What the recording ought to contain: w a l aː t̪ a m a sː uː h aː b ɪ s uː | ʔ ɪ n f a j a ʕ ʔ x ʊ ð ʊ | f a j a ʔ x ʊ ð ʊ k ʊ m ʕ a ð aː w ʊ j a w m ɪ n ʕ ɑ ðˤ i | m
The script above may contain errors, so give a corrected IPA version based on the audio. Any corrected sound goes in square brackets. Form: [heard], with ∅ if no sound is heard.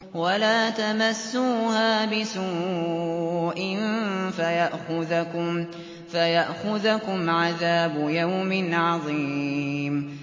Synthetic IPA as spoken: w a l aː t̪ a m a sː uː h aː b ɪ s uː | ʔ ɪ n f a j a [∅] ʔ x ʊ ð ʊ | f a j a ʔ x ʊ ð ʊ k ʊ m ʕ a ð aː [b] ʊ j a w m ɪ n ʕ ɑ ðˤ i | m